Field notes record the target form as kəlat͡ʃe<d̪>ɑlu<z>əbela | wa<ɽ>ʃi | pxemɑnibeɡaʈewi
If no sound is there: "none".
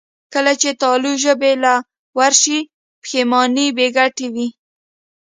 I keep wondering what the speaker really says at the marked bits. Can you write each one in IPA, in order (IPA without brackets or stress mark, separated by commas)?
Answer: t̪, ʒ, ɾ